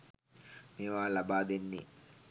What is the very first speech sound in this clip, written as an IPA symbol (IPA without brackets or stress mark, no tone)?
m